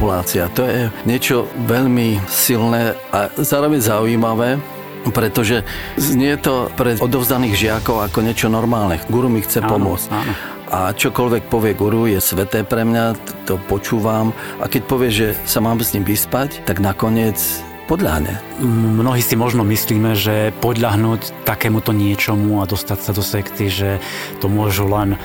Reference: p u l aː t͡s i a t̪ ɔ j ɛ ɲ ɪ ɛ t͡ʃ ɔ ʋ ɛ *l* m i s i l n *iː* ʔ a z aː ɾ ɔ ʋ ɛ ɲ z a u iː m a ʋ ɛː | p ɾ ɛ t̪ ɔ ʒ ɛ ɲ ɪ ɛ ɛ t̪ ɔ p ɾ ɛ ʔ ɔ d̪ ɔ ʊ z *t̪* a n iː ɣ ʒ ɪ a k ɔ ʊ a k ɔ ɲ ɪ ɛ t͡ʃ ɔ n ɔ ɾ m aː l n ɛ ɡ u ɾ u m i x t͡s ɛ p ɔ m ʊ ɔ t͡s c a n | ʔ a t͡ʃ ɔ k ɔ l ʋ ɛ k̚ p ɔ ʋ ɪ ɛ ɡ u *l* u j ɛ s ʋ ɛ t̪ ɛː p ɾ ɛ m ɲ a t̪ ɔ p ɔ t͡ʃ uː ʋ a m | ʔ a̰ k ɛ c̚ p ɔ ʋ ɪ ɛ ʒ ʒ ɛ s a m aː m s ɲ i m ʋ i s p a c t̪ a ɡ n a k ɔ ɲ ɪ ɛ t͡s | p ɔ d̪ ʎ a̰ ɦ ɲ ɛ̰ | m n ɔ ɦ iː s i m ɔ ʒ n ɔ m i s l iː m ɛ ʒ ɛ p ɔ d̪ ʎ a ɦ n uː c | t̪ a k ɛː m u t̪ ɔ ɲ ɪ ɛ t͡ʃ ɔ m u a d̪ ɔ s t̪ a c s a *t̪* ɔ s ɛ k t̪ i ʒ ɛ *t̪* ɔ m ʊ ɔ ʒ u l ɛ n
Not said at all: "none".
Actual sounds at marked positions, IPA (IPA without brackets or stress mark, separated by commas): ʎ, ɛː, d̪, ɾ, d̪, t̪